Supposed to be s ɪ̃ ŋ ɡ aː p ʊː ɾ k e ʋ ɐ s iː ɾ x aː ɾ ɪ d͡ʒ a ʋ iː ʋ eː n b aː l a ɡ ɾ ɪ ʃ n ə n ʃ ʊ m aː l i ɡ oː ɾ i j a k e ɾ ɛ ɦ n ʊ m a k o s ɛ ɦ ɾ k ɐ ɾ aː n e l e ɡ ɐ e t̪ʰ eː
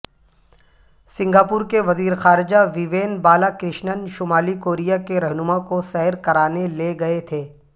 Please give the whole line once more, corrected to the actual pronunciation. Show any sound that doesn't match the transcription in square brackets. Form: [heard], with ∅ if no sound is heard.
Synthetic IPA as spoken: s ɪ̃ ŋ ɡ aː p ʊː ɾ k e ʋ ɐ [z] iː ɾ x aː ɾ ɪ d͡ʒ a ʋ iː ʋ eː n b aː l a [k] ɾ ɪ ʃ n ə n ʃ ʊ m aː l i [k] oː ɾ i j a k e ɾ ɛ ɦ n ʊ m a k o s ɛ ɦ ɾ k ɐ ɾ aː n e l e ɡ ɐ e t̪ʰ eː